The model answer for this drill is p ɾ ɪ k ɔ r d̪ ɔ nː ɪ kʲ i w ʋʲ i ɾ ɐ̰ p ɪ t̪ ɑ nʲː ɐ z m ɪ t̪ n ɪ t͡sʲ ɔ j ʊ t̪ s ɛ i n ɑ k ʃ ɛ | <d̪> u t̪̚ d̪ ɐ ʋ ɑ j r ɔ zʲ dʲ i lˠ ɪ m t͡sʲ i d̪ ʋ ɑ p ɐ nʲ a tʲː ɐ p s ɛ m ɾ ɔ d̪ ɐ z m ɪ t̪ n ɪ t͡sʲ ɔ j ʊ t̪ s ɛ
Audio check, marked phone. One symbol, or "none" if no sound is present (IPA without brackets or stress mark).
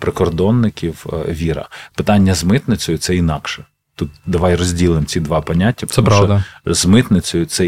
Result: t̪